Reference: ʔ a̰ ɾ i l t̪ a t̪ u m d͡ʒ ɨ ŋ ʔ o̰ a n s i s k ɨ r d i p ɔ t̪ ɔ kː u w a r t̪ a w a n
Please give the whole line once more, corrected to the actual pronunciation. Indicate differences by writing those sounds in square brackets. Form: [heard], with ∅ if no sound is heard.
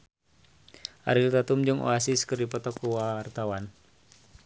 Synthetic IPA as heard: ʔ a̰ ɾ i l t̪ a t̪ u m d͡ʒ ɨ ŋ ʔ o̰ a [∅] s i s k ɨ r d i p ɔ t̪ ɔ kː u w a r t̪ a w a n